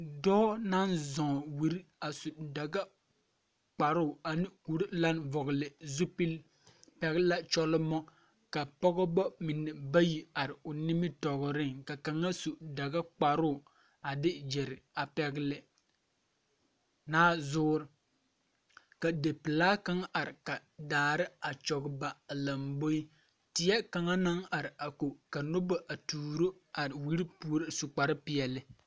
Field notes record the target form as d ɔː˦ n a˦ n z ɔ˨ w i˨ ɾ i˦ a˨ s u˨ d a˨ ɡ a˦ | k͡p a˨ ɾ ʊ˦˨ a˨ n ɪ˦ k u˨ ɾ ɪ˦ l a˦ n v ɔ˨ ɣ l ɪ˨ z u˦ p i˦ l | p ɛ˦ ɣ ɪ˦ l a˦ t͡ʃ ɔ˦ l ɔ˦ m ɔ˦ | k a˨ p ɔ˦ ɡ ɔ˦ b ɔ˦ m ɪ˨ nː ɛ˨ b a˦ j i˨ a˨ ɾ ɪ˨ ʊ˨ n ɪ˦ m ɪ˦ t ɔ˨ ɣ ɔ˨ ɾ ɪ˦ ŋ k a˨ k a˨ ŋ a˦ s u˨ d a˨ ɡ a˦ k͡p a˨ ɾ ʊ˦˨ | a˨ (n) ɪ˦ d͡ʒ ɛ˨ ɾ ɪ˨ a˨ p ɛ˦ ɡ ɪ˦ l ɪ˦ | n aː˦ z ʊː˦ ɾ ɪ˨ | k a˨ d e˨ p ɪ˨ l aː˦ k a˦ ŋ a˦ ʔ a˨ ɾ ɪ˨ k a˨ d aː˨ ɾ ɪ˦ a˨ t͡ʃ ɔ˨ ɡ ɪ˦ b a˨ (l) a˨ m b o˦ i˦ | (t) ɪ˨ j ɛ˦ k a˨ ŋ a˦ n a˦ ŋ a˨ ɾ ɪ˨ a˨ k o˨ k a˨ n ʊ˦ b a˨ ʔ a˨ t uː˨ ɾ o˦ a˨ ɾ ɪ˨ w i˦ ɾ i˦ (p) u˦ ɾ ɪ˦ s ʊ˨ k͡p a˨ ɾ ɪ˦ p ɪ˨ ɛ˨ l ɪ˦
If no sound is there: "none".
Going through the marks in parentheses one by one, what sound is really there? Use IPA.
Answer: d, l, t, p

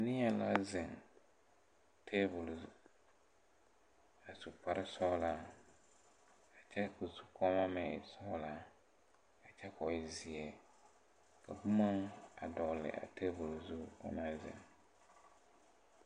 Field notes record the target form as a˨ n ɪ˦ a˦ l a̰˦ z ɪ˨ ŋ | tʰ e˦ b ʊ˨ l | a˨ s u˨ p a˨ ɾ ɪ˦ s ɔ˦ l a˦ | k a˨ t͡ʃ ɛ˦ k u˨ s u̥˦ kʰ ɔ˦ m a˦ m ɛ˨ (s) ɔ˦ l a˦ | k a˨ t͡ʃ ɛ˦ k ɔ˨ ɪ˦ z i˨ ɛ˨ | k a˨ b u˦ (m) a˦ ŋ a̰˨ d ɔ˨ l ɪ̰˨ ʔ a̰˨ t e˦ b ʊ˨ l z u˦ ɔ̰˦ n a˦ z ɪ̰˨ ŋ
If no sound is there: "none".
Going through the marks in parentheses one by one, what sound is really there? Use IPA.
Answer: s, m

